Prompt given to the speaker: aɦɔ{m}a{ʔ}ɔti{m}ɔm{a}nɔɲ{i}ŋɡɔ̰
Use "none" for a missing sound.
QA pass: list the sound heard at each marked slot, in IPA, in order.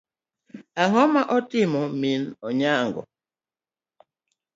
m, ʔ, m, i, a

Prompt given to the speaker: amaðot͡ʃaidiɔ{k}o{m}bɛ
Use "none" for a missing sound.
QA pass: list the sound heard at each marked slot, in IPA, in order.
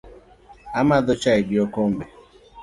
k, m

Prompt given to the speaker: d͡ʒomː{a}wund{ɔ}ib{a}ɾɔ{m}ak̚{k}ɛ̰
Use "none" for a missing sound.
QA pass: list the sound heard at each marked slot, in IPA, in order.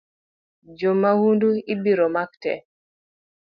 a, u, i, m, t

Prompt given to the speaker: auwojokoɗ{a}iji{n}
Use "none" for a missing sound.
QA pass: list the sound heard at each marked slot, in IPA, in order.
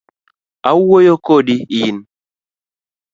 i, n

